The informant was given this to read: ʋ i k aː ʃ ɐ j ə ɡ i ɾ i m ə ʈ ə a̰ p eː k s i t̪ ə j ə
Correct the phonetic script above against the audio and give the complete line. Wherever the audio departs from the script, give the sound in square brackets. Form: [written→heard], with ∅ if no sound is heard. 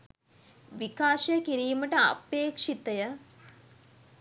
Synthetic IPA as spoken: ʋ i k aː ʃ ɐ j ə [ɡ→k] i ɾ [i→iː] m ə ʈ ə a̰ p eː k [s→ʂ] i t̪ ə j ə